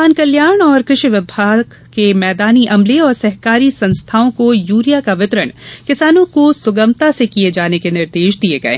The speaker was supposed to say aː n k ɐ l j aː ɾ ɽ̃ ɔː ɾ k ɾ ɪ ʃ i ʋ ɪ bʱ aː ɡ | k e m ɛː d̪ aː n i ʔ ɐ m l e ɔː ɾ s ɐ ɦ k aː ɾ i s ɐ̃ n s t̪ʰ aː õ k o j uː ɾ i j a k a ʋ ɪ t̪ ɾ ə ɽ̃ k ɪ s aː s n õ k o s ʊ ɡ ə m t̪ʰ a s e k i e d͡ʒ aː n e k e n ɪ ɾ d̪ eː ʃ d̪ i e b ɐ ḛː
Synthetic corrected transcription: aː n k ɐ l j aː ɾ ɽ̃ ɔː ɾ k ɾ ɪ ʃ i ʋ ɪ bʱ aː ɡ | k e m ɛː d̪ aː n i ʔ ɐ m l e ɔː ɾ s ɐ ɦ k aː ɾ i s ɐ̃ n s t̪ʰ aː õ k o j uː ɾ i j a k a ʋ ɪ t̪ ɾ ə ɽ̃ k ɪ s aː n õ k o s ʊ ɡ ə m t̪ a s e k i e d͡ʒ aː n e k e n ɪ ɾ d̪ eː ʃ d̪ i e ɡ ɐ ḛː

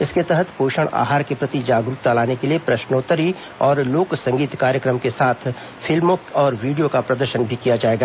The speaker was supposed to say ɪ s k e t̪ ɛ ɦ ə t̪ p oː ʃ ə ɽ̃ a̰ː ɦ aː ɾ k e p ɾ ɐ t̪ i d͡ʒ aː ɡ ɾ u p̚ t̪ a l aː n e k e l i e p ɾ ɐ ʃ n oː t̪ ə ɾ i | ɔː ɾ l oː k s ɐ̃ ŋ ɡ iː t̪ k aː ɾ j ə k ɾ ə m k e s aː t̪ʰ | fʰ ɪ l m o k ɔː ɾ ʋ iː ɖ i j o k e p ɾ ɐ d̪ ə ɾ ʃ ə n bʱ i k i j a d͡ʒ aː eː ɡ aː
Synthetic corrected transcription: ɪ s k e t̪ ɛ ɦ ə t̪ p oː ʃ ə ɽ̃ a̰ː ɦ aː ɾ k e p ɾ ɐ t̪ i d͡ʒ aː ɡ ɾ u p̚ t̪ a l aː n e k e l i e p ɾ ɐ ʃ n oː t̪ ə ɾ i | ɔː ɾ l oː k s ɐ̃ ŋ ɡ iː t̪ k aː ɾ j ə k ɾ ə m k e s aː t̪ʰ | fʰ ɪ l m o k ɔː ɾ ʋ iː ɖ i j o k a p ɾ ɐ d̪ ə ɾ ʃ ə n bʱ i k i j a d͡ʒ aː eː ɡ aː

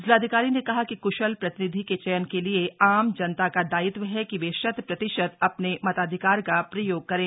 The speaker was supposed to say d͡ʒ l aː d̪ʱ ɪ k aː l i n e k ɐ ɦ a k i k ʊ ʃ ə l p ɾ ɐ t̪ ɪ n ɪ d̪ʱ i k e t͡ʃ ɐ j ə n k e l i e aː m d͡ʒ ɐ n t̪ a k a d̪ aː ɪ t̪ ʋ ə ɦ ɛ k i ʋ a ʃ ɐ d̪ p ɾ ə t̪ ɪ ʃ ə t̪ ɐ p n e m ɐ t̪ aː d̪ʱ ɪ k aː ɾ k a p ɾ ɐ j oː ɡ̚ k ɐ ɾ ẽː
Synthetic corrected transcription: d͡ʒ l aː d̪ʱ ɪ k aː ɾ i n e k ɐ ɦ a k i k ʊ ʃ ə l p ɾ ɐ t̪ ɪ n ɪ d̪ʱ i k e t͡ʃ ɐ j ə n k e l i e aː m d͡ʒ ɐ n t̪ a k a d̪ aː ɪ t̪ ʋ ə ɦ ɛ k i ʋ e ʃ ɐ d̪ p ɾ ɐ t̪ ɪ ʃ ə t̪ ɐ p n e m ɐ t̪ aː d̪ʱ ɪ k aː ɾ k a p ɾ ɐ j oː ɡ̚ k ɐ ɾ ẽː

